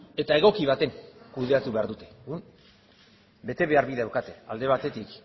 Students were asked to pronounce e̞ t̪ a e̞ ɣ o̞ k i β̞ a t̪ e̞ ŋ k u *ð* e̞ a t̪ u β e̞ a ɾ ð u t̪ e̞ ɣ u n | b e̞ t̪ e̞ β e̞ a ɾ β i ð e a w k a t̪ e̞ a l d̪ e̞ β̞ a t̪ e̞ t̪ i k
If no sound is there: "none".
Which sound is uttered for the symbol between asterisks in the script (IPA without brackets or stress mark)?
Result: ð